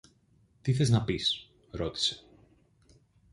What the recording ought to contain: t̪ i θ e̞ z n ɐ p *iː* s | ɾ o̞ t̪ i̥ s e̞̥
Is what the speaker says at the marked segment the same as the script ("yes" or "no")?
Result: no